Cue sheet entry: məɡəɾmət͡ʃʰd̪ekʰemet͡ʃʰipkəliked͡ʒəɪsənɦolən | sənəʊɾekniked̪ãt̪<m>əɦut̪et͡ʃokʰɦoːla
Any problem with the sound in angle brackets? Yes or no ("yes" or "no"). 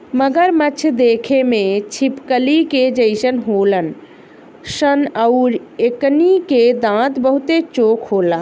yes